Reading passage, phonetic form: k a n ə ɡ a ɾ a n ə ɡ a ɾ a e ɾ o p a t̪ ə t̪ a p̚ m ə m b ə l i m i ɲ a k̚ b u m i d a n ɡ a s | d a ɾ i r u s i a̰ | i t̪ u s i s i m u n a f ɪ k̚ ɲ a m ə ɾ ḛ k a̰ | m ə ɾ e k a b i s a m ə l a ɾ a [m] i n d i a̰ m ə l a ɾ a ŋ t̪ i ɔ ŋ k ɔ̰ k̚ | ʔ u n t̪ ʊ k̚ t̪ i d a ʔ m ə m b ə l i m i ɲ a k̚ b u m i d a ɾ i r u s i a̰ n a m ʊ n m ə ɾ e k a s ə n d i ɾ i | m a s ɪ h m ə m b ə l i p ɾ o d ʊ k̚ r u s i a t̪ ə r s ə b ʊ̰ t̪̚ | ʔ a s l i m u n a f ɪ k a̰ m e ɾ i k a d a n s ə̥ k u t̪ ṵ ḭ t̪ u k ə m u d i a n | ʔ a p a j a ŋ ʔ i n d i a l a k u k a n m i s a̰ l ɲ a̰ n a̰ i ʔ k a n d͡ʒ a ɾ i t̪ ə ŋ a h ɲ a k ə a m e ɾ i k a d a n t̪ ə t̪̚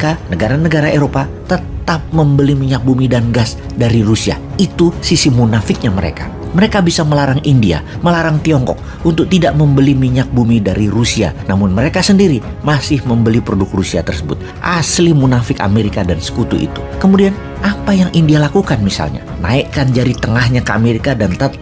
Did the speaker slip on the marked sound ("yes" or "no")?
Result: yes